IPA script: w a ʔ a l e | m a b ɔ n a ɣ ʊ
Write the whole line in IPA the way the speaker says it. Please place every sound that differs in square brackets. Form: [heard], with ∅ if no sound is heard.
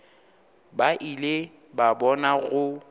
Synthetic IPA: [b] a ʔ [i] l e | [b] a b ɔ n a ɣ ʊ